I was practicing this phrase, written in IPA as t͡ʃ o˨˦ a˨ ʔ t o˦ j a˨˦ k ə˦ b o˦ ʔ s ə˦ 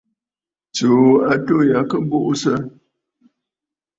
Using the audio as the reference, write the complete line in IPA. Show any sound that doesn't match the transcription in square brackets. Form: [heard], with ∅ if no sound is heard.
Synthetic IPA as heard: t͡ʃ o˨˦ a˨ [∅] t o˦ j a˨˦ k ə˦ b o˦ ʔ s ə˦